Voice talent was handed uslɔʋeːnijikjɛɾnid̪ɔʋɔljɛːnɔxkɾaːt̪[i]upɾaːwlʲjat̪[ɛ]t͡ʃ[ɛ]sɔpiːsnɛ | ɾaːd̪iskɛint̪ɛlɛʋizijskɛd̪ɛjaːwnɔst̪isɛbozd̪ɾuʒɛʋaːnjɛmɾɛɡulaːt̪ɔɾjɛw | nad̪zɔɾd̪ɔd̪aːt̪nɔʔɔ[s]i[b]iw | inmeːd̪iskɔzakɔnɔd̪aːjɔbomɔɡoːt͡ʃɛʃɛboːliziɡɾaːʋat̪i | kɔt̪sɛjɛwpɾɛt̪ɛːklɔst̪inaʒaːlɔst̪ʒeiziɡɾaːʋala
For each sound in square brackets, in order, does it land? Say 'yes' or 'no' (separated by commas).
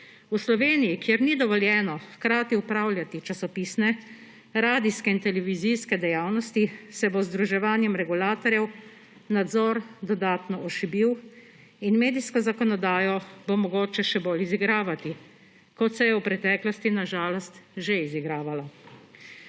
yes, no, no, no, yes